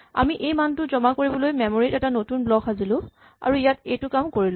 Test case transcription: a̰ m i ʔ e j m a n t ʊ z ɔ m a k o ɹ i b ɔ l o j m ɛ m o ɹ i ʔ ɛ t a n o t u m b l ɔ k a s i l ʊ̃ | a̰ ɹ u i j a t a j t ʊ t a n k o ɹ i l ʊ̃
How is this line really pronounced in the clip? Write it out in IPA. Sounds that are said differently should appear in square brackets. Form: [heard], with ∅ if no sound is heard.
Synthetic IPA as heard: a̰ m i ʔ e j m a n t ʊ z ɔ m a k o ɹ i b ɔ l o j m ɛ m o ɹ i [t] ɛ t a n o t u [n] b l ɔ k a [z] i l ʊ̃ | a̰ ɹ u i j a t [e] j t ʊ [k] a [m] k o ɹ i l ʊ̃